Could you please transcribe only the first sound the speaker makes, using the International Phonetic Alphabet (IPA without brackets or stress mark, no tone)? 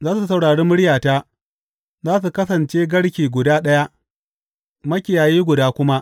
z